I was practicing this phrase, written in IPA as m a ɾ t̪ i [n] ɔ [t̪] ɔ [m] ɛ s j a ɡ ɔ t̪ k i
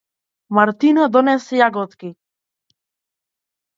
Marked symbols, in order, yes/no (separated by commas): yes, no, no